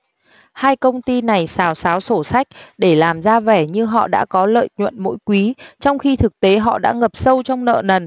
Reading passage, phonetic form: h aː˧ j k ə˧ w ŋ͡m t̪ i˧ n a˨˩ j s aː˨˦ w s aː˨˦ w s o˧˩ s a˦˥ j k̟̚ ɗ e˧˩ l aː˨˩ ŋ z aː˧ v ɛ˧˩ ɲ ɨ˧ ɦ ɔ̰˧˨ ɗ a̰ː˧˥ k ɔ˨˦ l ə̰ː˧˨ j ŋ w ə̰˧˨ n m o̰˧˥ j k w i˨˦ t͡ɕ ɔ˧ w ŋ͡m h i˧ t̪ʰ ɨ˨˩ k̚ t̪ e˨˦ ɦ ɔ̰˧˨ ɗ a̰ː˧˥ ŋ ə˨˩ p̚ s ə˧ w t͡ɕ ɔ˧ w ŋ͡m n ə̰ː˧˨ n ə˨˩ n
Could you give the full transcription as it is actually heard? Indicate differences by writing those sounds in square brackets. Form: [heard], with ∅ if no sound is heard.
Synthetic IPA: h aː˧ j k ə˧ w ŋ͡m t̪ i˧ n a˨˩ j s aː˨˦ w s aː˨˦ w s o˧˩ s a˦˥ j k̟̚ ɗ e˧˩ l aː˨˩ [m] z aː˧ v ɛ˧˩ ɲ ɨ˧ ɦ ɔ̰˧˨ ɗ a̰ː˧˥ k ɔ˨˦ l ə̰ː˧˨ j [ɲ] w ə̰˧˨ n m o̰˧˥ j k w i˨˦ t͡ɕ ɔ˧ w ŋ͡m [x] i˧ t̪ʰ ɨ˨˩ k̚ t̪ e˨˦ ɦ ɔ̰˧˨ ɗ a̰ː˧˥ ŋ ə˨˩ p̚ s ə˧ w t͡ɕ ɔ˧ w ŋ͡m n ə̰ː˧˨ n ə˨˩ n